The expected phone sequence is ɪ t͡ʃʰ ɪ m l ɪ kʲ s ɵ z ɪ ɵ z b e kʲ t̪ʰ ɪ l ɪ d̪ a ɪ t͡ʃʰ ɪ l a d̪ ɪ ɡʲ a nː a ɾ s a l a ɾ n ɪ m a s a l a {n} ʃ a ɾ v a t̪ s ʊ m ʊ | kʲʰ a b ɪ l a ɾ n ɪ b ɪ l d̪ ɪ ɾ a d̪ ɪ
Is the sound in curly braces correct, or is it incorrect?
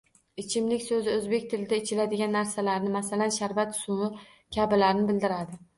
correct